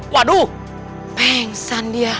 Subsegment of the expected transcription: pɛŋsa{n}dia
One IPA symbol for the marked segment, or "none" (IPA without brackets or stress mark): n